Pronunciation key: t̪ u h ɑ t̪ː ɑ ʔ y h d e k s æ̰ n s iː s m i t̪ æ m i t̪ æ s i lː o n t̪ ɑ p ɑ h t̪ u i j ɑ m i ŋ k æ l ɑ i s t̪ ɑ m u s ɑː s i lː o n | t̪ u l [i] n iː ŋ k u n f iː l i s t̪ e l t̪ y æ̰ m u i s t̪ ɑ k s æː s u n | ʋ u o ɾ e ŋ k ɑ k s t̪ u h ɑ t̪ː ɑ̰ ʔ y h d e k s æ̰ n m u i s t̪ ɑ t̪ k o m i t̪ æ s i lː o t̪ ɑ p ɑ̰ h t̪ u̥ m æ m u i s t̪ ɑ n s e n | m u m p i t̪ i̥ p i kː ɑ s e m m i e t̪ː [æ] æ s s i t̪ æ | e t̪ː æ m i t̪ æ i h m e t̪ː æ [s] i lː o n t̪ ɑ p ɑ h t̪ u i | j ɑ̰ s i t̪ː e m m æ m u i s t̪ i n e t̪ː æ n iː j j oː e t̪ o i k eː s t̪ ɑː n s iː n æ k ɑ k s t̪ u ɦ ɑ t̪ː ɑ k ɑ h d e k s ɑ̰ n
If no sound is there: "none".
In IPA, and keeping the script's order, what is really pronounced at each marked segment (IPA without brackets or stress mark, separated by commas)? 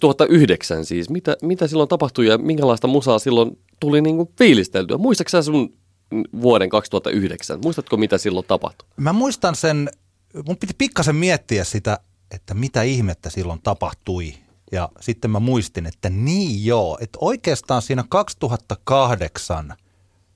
i, i, s